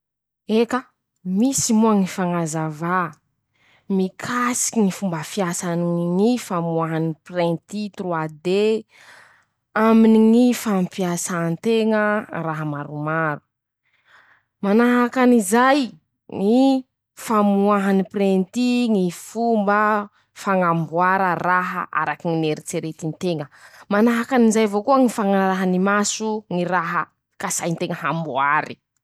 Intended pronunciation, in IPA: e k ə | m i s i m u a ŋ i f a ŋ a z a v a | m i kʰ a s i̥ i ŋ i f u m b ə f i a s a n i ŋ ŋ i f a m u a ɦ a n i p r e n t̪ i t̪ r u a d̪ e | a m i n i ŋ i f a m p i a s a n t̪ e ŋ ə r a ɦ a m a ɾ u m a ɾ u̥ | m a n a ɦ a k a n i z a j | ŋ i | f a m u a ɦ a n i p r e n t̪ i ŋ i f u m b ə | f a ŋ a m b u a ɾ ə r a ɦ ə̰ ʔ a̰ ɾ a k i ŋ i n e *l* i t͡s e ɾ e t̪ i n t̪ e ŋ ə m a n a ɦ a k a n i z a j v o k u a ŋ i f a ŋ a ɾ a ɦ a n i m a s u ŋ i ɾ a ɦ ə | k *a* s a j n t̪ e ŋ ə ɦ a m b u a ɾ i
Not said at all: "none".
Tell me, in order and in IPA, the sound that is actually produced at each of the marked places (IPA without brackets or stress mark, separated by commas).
ɾ, a